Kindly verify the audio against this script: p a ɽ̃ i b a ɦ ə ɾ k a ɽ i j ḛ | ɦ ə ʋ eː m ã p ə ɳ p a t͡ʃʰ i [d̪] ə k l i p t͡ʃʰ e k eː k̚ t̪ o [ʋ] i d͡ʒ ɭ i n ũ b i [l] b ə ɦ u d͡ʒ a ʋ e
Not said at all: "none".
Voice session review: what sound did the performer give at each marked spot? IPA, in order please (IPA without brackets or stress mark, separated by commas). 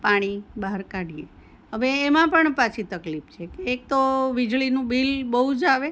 t̪, ʋ, l